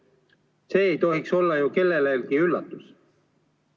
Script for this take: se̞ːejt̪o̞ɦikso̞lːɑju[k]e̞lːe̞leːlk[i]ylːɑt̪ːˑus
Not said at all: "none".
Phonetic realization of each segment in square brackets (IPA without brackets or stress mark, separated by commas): k, i